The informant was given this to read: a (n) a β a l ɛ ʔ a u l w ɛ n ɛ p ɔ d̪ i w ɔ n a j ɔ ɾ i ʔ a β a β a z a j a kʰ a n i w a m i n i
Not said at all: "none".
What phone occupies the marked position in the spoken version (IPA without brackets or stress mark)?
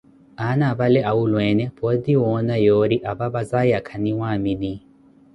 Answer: n